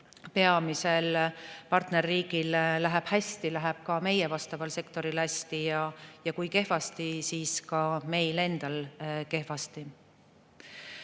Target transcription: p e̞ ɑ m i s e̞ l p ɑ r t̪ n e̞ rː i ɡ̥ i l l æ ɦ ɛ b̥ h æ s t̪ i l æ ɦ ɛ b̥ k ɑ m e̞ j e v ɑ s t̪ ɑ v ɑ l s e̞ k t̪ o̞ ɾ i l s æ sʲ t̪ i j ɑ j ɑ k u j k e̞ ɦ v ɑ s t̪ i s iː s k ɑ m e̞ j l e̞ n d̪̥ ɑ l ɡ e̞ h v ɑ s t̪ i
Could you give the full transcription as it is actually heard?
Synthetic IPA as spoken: p e̞ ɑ m i s e̞ l p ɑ r t̪ n e̞ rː iː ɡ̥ i l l æ ɦ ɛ b̥ h æ s t̪ i l æ ɦ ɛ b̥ k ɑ m e̞ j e v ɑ s t̪ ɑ v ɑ l s e̞ k t̪ o̞ ɾ i l h æ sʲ t̪ i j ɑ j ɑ k u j k e̞ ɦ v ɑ s t̪ i s iː s k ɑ m e̞ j l e̞ n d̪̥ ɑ l k e̞ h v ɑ s t̪ i